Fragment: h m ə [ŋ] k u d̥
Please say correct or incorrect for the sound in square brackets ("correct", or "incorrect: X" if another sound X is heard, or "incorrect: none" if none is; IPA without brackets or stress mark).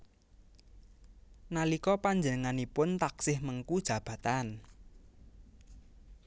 correct